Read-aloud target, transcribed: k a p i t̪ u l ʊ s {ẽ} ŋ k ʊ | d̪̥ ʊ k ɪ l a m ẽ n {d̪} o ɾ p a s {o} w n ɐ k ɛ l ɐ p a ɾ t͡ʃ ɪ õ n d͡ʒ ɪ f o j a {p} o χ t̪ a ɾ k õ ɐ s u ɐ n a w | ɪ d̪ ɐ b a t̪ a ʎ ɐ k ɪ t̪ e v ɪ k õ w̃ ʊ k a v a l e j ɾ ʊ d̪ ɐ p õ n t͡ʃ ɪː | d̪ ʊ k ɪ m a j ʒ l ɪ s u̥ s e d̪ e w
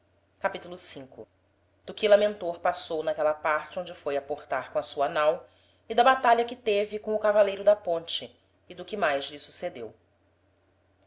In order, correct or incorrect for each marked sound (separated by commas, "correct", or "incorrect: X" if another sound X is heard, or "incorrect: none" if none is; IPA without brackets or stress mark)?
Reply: incorrect: ĩ, incorrect: t̪, correct, correct